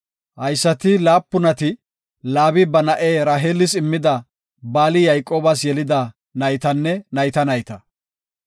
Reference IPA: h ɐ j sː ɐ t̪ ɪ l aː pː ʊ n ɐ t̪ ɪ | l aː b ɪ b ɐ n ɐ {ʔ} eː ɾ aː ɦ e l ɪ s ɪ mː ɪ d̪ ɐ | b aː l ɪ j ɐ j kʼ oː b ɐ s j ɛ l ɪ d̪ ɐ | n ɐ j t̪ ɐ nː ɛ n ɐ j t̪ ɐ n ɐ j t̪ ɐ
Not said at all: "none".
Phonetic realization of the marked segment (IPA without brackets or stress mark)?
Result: ʔ